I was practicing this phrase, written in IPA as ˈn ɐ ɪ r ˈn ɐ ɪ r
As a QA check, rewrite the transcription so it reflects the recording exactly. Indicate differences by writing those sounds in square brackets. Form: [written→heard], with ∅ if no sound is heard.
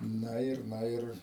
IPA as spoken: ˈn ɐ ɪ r ˈn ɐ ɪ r